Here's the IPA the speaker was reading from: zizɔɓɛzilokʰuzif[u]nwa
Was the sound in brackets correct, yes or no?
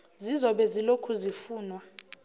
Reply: no